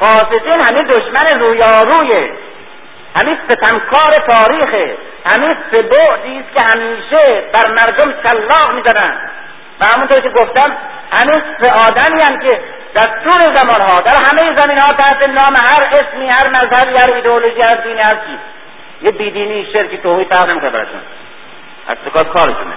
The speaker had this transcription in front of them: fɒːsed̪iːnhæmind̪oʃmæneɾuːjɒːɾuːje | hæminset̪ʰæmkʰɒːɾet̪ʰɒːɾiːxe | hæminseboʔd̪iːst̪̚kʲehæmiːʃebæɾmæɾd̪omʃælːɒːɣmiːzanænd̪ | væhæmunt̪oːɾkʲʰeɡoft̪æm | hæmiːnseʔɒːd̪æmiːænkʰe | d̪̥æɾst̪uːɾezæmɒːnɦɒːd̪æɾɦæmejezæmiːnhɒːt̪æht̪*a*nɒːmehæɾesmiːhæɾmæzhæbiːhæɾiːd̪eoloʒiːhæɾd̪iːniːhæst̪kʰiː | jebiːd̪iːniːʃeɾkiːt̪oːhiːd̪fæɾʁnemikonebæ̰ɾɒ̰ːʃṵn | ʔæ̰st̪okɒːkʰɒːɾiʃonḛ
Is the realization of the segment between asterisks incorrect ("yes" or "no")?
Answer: yes